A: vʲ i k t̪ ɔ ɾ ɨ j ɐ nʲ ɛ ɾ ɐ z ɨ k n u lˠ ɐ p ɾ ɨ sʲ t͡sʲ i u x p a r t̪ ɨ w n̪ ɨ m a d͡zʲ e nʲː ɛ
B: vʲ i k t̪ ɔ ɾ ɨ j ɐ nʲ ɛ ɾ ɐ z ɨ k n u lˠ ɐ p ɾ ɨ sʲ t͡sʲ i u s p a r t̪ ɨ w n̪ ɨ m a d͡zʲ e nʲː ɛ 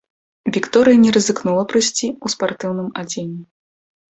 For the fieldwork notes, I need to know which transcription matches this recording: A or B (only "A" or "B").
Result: B